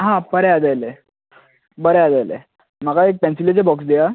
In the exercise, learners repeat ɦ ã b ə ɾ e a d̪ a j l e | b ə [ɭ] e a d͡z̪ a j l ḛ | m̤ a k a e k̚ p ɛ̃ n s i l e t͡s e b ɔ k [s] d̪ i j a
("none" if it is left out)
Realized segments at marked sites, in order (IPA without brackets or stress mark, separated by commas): ɾ, s